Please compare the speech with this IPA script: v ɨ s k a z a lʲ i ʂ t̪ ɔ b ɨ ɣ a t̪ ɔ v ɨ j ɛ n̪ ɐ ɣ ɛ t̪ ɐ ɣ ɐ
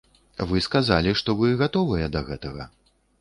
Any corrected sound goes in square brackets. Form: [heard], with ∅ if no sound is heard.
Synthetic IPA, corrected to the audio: v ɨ s k a z a lʲ i ʂ t̪ ɔ [v] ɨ ɣ a t̪ ɔ v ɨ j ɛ [d̪] ɐ ɣ ɛ t̪ ɐ ɣ ɐ

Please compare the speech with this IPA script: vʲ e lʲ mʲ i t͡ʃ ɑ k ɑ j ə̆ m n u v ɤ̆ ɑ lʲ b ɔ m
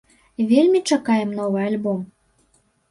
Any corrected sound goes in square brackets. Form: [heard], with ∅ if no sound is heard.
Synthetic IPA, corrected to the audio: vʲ e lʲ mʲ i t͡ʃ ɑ k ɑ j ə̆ m n [o] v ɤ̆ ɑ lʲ b [o] m

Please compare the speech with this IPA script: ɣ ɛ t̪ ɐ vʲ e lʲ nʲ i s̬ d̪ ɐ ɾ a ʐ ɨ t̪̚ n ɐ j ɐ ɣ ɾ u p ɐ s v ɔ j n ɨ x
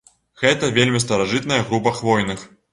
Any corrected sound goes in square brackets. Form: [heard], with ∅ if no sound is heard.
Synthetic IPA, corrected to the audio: ɣ ɛ t̪ ɐ vʲ e lʲ [mʲ] i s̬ [t̪] ɐ ɾ a ʐ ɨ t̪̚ n ɐ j ɐ ɣ ɾ u p ɐ [x] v ɔ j n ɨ x

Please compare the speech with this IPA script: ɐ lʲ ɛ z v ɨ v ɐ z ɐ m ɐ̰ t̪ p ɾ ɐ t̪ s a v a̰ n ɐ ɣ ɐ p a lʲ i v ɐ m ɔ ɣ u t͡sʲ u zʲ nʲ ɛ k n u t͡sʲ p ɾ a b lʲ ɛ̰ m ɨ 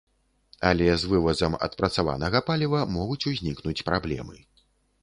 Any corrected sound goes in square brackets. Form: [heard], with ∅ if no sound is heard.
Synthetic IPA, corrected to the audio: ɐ lʲ ɛ z v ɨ v ɐ z ɐ m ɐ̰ t̪ p ɾ ɐ t̪ s a v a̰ n ɐ ɣ ɐ p a lʲ i v ɐ m ɔ ɣ u t͡sʲ u zʲ nʲ [i] k n u t͡sʲ p ɾ a b lʲ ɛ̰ m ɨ

